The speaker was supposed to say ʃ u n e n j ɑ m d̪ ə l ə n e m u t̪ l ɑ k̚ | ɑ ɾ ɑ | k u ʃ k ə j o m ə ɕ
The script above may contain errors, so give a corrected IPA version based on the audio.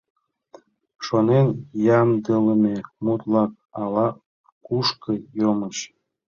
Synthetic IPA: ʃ o n e n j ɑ m d̪ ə l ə m e m u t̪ l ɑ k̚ | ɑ l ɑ | k u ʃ k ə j o m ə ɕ